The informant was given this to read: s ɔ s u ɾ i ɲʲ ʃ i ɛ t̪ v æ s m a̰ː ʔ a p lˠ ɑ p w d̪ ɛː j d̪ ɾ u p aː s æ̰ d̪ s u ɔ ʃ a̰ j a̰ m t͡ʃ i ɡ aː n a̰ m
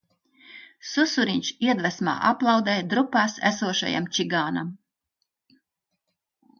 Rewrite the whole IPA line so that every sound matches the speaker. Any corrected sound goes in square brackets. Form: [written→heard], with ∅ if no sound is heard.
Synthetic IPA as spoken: s [ɔ→u] s u ɾ i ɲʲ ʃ i ɛ [t̪→d̪] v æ s m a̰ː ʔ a p lˠ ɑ [p→∅] w d̪ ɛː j d̪ ɾ u p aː s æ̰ [d̪→∅] s u ɔ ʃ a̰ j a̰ m t͡ʃ i ɡ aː n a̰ m